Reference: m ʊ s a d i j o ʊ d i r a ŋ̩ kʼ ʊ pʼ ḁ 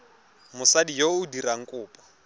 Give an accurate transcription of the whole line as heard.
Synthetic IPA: m ʊ s a d i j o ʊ d i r a ŋ̩ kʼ ʊː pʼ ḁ